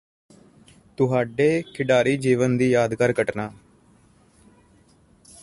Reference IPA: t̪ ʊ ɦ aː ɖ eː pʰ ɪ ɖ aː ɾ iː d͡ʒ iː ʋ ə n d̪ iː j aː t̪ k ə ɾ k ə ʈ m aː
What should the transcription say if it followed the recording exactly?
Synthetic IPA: t̪ ʊ ɦ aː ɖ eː kʰ ɪ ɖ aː ɾ iː d͡ʒ iː ʋ ə n d̪ iː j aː d̪ k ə ɾ k ə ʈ n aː